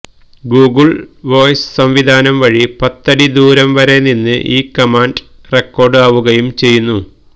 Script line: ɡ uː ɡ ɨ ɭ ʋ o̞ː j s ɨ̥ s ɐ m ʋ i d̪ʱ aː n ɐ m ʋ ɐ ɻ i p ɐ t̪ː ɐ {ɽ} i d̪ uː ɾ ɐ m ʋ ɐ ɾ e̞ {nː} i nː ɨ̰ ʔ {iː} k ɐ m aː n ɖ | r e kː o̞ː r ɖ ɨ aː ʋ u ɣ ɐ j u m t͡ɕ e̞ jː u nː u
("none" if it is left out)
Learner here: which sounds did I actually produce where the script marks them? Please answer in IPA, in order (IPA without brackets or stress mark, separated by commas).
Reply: ɽ, n, iː